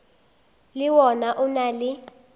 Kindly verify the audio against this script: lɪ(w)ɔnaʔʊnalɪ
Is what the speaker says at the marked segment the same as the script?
yes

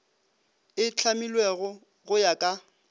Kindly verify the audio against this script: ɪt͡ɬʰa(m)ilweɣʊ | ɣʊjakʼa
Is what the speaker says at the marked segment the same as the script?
yes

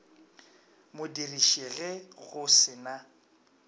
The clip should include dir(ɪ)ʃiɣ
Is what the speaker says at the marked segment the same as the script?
no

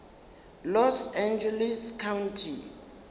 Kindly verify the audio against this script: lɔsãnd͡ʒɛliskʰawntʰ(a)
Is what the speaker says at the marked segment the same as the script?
no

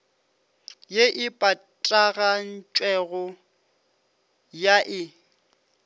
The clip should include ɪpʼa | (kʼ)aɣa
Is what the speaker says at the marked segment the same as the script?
no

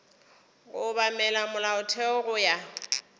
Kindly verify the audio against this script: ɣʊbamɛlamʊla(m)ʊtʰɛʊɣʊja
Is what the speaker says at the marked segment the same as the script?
no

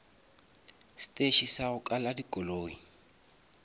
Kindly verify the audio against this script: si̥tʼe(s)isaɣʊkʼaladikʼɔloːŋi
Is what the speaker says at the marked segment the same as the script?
no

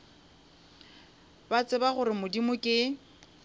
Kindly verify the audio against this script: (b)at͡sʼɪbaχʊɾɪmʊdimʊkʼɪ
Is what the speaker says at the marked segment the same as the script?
yes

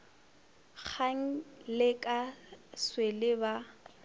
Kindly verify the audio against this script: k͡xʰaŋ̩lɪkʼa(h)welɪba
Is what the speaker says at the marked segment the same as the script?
no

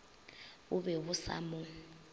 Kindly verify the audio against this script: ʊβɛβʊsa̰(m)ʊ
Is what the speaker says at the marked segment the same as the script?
yes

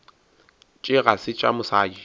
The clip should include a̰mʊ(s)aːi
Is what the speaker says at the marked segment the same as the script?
yes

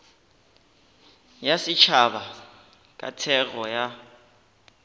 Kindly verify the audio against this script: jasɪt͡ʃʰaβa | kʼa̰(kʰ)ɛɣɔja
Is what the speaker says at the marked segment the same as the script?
no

